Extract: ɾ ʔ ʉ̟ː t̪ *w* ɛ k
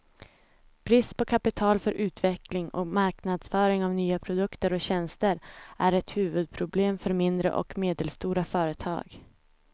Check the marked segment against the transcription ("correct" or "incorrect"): incorrect